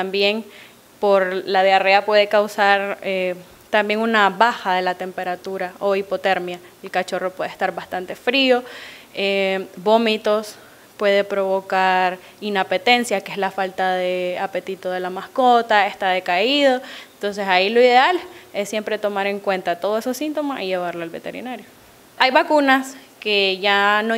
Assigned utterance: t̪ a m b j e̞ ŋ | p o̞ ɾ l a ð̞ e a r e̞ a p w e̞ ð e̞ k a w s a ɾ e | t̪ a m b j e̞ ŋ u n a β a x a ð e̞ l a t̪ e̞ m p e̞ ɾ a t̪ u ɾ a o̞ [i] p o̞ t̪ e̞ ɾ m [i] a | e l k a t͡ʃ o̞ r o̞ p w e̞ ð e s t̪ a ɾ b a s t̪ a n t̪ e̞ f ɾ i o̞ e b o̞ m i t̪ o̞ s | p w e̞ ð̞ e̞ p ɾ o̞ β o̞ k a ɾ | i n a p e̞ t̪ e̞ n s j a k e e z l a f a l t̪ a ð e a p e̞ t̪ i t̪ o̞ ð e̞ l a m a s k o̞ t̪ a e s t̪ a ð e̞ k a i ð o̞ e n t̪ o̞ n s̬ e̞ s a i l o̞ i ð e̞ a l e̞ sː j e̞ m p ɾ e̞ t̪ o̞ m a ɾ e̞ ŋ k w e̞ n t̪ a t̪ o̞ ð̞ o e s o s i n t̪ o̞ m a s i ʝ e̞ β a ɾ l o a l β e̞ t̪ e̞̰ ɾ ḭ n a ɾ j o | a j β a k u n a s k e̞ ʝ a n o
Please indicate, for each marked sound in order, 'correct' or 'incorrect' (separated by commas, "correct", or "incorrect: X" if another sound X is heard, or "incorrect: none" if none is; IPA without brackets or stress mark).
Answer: correct, incorrect: j